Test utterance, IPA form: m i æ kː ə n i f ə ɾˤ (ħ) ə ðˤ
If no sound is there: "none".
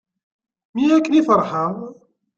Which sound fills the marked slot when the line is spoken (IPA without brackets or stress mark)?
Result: ħ